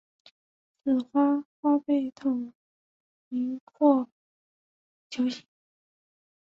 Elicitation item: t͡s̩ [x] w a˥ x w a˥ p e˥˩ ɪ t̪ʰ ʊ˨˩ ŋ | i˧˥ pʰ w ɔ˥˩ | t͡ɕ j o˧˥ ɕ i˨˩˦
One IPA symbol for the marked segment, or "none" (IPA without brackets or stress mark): x